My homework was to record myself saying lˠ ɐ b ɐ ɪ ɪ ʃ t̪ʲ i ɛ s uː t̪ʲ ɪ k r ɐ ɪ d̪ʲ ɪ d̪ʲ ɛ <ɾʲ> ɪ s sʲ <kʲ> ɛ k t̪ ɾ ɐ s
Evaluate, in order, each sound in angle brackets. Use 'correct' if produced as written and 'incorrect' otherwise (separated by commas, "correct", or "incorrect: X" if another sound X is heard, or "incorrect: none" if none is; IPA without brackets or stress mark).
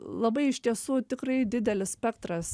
incorrect: lʲ, incorrect: pʲ